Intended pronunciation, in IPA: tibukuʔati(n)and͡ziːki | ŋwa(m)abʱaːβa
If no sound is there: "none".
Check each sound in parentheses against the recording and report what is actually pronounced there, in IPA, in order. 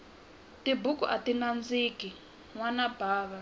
n, n

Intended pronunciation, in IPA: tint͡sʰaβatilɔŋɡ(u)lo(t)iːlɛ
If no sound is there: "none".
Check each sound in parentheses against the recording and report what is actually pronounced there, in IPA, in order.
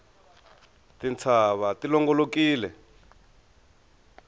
ɔ, k

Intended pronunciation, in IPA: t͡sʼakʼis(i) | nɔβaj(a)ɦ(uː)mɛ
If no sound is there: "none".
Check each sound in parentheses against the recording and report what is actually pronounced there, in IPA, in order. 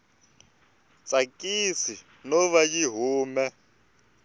i, i, uː

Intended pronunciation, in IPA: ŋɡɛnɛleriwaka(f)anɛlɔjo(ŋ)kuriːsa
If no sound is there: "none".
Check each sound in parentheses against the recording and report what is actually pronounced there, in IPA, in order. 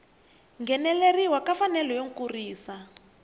f, ŋ

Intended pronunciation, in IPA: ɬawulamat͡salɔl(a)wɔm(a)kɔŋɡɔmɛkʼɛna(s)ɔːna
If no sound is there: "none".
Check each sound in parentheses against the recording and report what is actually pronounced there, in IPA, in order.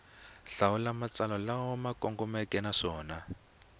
a, a, ʂ

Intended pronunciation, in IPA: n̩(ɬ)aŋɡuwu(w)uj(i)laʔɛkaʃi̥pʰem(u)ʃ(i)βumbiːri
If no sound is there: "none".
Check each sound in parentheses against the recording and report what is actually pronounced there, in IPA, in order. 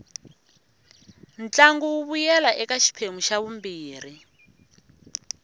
t͡ɬ, β, ɛ, u, a

